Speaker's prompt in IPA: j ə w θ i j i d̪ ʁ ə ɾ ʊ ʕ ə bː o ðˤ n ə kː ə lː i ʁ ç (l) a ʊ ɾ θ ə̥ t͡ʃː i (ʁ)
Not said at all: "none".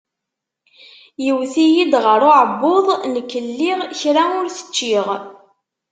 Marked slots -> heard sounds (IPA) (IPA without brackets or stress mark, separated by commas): ɾ, ʁ